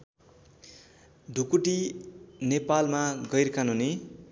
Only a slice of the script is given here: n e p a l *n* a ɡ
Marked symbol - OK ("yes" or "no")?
no